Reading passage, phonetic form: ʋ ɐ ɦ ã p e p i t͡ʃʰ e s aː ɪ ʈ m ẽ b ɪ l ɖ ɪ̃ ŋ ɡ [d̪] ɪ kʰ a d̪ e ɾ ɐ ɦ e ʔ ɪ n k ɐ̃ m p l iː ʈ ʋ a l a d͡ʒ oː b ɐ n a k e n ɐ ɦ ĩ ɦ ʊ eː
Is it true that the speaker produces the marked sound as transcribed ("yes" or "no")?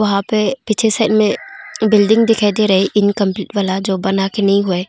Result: yes